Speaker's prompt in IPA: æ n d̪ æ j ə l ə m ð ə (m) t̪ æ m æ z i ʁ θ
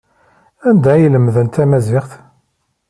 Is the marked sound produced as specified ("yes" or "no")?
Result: no